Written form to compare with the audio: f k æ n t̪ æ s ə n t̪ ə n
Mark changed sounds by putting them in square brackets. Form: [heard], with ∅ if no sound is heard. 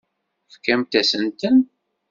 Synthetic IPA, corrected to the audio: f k æ [m] t̪ æ s ə n t̪ ə n